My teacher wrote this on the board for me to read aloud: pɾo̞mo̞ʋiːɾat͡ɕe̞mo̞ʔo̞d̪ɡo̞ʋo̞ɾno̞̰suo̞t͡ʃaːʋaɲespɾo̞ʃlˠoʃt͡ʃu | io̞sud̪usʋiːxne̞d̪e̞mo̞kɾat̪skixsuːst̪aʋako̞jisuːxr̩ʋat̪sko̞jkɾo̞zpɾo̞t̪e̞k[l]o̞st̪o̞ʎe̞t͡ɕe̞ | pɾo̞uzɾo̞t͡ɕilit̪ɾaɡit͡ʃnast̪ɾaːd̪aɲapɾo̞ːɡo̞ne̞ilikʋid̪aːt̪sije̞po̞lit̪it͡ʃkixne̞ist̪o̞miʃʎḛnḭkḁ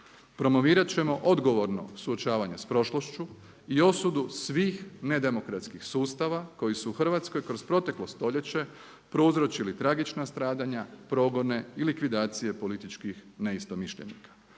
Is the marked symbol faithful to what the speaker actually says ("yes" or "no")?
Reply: yes